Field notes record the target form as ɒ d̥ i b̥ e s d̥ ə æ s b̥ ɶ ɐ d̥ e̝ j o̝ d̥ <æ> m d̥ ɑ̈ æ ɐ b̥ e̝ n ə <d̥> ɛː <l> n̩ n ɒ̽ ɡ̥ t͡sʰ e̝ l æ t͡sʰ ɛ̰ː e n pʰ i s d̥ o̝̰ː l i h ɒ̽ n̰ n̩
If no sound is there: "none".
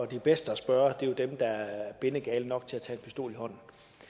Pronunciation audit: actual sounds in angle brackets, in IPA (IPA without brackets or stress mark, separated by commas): e, ɡ̥, l